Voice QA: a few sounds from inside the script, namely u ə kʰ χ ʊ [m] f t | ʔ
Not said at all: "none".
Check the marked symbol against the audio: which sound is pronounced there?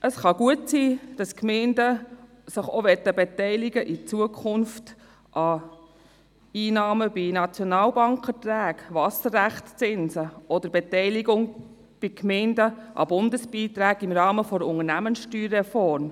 n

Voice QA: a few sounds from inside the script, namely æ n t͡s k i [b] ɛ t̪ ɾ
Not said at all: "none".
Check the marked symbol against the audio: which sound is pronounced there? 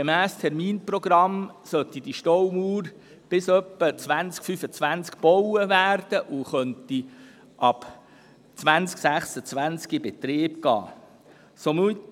b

